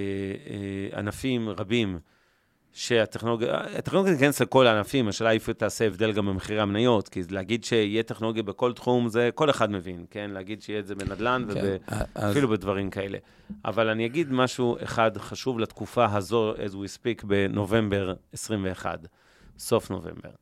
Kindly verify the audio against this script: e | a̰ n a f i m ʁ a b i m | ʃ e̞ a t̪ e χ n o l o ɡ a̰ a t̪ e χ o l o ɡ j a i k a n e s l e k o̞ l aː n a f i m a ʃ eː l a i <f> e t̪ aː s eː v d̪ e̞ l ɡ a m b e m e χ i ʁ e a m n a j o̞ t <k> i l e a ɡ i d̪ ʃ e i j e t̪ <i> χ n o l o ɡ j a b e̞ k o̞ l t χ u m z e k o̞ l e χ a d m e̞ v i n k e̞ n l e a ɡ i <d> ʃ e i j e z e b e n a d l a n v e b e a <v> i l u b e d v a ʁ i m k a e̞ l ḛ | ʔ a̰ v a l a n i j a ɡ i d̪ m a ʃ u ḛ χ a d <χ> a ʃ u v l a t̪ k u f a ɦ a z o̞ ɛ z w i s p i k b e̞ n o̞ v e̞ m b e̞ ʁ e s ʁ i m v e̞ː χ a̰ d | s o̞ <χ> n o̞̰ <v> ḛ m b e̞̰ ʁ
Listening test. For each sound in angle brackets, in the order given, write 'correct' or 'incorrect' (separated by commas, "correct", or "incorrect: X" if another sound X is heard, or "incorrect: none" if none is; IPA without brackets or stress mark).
correct, correct, incorrect: e, correct, incorrect: f, correct, incorrect: f, correct